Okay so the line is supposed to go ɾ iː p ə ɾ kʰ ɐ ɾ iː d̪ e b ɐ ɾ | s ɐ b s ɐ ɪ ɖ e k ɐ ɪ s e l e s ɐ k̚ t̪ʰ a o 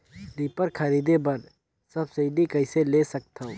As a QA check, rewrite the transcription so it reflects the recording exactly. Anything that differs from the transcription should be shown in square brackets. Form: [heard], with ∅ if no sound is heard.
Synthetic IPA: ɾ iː p ə ɾ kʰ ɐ ɾ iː d̪ e b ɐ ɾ | s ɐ b s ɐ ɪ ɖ [i] k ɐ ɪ s e l e s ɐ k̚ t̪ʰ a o